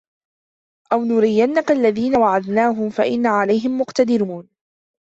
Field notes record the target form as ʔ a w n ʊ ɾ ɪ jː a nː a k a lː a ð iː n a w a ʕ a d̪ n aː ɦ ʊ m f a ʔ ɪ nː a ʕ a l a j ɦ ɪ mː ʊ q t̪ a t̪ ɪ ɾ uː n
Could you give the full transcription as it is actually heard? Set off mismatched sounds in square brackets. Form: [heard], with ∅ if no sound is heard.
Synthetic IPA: ʔ a w n ʊ ɾ ɪ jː a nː a k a lː a ð iː n a w a ʕ a d̪ n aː ɦ ʊ m f a ʔ ɪ nː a ʕ a l a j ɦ ɪ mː ʊ q t̪ a [d̪] ɪ ɾ uː n